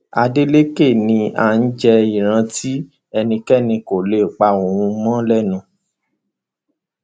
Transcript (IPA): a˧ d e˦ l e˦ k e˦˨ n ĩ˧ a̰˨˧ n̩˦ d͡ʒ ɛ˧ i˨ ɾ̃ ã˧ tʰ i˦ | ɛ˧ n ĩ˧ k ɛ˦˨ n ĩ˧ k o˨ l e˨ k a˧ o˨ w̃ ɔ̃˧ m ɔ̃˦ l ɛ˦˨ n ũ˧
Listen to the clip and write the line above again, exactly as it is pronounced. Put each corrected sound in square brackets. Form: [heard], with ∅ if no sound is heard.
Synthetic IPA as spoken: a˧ d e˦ l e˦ k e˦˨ n ĩ˧ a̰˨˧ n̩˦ d͡ʒ ɛ˧ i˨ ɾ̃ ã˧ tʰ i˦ | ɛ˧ n ĩ˧ k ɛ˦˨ n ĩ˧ k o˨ l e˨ [k͡p] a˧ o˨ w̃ [ũ˧] m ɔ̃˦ l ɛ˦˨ n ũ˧

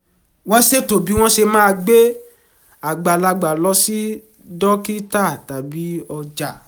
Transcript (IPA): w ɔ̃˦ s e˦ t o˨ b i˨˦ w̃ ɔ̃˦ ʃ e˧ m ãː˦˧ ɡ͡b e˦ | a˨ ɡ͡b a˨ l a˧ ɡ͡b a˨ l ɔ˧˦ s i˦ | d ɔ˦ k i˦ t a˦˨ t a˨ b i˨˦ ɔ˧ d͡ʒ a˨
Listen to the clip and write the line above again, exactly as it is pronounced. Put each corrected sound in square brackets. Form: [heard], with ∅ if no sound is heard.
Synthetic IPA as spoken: w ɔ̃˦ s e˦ t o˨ b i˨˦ w̃ ɔ̃˦ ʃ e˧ m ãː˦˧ ɡ͡b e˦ | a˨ ɡ͡b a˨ l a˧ ɡ͡b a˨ l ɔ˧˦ s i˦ | d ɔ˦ k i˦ t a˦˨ t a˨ b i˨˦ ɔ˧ d͡ʒ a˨

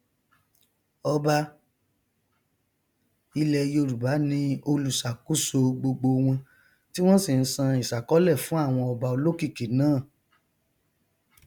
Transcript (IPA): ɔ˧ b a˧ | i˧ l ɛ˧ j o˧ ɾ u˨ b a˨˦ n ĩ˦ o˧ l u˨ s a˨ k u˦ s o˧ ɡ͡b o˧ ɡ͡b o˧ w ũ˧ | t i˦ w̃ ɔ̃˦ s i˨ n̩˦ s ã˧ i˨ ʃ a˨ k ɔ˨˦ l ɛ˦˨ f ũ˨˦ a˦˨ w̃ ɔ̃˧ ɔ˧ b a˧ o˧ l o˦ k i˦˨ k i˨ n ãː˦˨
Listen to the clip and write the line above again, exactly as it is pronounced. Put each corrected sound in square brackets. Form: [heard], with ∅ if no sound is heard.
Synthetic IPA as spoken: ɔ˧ b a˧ | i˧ l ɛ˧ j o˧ ɾ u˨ b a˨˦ n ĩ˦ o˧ l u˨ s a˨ k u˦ s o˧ ɡ͡b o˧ ɡ͡b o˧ w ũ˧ | t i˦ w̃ ɔ̃˦ s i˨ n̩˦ s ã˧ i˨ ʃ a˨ k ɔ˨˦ l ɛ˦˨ f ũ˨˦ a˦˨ w̃ ɔ̃˧ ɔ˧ b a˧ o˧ l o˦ k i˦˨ k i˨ n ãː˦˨

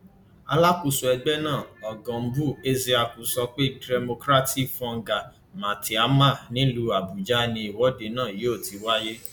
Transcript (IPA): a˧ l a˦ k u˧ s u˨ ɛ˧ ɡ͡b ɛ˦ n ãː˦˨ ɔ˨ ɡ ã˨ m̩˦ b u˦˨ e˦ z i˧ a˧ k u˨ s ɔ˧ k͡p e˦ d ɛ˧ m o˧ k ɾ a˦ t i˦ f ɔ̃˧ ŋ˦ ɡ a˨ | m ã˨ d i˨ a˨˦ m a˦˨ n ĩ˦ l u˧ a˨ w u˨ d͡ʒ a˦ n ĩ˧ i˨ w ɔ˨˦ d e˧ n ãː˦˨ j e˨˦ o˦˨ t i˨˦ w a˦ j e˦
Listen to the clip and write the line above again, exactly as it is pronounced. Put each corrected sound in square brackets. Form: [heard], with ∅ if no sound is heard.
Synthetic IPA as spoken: a˧ l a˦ k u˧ s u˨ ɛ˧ ɡ͡b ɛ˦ n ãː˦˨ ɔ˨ ɡ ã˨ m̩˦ b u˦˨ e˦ z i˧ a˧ k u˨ s ɔ˧ k͡p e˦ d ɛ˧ m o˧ k ɾ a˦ t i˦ f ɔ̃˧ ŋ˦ ɡ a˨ | m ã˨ [t] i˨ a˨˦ m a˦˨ n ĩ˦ l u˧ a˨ [b] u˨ d͡ʒ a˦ n ĩ˧ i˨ w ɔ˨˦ d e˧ n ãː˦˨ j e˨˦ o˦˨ t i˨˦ w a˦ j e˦

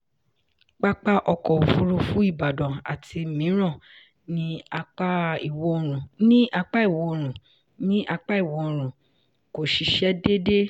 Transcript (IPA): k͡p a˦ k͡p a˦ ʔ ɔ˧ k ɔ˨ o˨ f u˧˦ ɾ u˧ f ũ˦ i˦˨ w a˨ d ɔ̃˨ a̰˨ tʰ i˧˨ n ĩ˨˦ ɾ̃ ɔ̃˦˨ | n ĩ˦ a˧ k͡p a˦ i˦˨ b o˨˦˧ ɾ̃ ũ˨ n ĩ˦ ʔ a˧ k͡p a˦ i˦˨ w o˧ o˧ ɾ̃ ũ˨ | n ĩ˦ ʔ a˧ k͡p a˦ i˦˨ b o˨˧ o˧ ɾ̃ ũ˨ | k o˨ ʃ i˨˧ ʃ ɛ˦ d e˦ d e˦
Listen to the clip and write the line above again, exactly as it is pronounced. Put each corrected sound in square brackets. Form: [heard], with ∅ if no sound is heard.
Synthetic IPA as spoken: k͡p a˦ k͡p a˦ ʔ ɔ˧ k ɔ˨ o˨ f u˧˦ ɾ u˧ f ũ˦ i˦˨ [b] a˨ d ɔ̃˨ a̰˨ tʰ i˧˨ [m] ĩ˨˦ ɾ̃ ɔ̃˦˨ | n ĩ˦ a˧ k͡p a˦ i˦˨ [w] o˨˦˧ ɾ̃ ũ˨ n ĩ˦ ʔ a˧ k͡p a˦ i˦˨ w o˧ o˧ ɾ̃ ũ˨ | n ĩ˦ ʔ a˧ k͡p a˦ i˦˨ [w] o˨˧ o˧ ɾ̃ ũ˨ | k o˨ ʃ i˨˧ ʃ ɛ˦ d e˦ d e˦

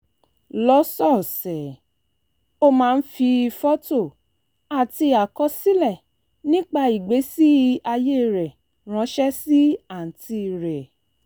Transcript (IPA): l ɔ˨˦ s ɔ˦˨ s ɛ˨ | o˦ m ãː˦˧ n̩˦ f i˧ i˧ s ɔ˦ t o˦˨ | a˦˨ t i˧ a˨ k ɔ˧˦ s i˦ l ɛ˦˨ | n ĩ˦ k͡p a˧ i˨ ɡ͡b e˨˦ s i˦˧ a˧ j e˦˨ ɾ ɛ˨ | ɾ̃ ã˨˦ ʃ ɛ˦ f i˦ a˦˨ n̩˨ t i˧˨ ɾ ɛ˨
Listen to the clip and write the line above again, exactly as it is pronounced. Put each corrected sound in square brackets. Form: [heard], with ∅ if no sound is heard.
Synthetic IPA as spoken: l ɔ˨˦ s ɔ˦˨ s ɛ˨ | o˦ m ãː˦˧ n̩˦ f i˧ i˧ [f] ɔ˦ t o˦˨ | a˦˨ t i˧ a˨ k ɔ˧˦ s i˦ l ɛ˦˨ | n ĩ˦ k͡p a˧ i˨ ɡ͡b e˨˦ s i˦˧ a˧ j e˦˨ ɾ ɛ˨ | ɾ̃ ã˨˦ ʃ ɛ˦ [s] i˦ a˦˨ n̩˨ t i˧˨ ɾ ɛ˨

